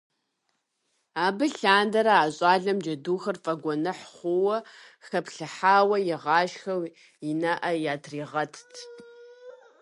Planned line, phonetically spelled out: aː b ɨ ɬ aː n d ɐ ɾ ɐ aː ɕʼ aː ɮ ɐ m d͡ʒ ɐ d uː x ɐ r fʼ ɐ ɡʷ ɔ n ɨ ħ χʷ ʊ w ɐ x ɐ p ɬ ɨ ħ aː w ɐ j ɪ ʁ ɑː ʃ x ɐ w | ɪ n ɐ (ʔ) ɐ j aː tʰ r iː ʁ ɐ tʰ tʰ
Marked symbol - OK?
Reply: yes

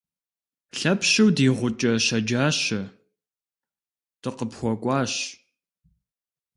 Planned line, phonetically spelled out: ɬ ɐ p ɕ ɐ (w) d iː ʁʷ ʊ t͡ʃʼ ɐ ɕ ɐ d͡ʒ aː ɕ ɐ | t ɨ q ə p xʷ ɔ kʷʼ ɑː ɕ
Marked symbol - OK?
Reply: yes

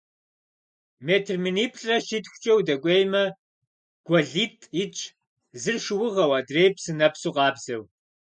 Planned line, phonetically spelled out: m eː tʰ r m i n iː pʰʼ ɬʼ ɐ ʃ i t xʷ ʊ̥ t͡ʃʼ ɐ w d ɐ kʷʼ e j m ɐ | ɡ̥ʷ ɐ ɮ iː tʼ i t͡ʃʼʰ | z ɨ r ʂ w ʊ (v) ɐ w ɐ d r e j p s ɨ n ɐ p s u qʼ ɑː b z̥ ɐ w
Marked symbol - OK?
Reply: no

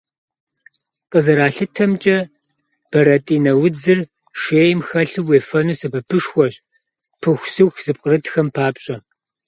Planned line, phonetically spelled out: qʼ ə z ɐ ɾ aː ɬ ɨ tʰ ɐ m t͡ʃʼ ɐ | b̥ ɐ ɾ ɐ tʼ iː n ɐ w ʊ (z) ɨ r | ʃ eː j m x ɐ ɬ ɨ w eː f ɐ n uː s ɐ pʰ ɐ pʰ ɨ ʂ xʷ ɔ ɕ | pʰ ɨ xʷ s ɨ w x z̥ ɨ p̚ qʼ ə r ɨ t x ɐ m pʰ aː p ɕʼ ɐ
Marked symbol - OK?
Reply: no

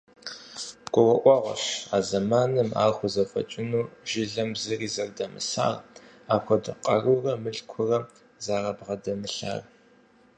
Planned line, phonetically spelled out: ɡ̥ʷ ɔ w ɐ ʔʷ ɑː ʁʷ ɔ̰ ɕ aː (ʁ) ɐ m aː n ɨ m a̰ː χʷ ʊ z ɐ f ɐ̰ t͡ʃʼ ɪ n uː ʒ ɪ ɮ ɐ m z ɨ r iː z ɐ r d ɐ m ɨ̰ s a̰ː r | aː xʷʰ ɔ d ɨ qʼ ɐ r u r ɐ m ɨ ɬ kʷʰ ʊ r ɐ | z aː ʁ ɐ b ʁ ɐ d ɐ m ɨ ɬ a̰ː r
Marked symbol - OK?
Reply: no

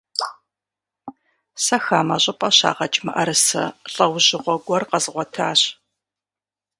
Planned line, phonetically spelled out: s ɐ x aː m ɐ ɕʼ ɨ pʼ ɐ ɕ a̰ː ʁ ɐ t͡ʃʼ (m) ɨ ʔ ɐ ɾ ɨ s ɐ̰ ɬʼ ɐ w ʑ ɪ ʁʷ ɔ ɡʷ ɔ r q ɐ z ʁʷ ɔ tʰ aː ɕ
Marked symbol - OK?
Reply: yes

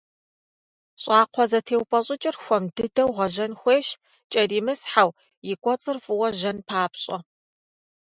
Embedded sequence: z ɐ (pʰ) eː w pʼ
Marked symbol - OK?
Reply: no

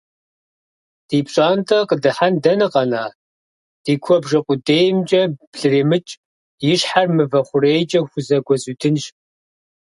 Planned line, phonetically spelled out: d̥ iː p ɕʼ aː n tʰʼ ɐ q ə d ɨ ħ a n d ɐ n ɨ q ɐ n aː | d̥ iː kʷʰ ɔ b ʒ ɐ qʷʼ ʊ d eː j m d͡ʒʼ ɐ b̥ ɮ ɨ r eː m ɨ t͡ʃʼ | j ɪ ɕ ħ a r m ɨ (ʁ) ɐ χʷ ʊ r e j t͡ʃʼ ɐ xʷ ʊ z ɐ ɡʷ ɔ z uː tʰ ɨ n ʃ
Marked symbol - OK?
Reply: no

